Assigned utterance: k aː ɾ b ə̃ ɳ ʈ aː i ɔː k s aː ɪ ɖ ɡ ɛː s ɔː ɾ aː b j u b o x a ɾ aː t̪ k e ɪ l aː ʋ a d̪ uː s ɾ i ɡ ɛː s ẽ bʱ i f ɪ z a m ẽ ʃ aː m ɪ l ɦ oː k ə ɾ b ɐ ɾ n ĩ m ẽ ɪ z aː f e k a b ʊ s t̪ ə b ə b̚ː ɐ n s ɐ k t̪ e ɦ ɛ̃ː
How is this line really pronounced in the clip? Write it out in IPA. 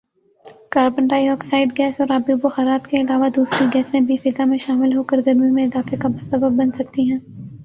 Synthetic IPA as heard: k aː ɾ b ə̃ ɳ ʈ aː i ɔː k s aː ɪ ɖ ɡ ɛː s ɔː ɾ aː b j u b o x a ɾ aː t̪ k e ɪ l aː ʋ a d̪ uː s ɾ i ɡ ɛː s ẽ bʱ i f ɪ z a m ẽ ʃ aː m ɪ l ɦ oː k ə ɾ ɡ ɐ ɾ m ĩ m ẽ ɪ z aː f e k a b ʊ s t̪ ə b ə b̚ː ɐ n s ɐ k t̪ i ɦ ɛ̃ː